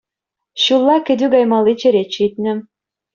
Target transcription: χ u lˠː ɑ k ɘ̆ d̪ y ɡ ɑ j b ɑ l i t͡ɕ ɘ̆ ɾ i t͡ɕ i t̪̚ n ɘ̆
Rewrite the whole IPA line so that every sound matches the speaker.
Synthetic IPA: ɕ u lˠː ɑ k ɘ̆ d̪ y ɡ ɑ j m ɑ l i t͡ɕ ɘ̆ ɾ e t͡ɕ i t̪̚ n ɘ̆